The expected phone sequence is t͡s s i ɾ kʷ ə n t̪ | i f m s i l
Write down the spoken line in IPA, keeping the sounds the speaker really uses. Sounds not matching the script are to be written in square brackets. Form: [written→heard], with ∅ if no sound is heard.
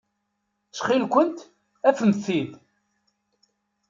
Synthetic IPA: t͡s [s→χ] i [ɾ→l] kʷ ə n t̪ | [i→æ] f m [s→θ] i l